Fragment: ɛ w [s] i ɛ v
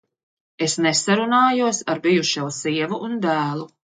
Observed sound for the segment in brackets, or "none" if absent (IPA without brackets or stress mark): s